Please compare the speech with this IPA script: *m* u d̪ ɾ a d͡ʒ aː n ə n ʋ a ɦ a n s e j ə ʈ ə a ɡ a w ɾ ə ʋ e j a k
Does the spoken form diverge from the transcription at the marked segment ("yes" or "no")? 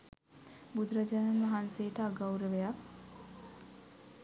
yes